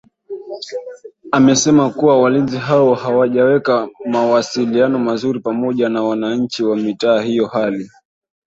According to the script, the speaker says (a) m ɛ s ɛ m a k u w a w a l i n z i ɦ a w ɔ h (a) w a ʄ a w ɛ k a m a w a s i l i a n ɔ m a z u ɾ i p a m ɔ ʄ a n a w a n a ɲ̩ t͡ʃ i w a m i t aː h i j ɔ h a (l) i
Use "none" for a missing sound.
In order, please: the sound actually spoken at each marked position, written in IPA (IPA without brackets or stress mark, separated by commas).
a, a, l